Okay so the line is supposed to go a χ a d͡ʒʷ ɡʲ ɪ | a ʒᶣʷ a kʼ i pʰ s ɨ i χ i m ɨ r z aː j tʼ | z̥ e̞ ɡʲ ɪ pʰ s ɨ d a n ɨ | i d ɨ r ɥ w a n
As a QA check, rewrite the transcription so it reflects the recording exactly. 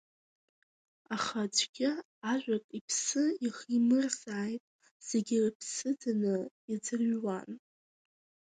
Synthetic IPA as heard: a χ a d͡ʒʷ ɡʲ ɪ | a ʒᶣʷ a kʼ i pʰ s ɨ i χ i m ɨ r z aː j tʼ | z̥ e̞ ɡʲ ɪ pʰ s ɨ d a n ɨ | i d͡z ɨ r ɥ w a n